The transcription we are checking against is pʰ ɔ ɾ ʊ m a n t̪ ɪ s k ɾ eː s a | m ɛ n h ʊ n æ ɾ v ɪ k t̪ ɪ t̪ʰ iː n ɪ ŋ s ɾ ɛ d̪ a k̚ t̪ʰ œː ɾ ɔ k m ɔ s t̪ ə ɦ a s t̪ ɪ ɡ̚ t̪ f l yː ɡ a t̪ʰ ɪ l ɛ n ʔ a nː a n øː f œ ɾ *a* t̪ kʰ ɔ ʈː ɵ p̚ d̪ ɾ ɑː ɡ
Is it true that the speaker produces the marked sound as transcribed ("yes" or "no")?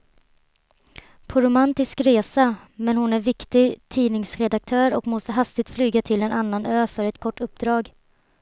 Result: no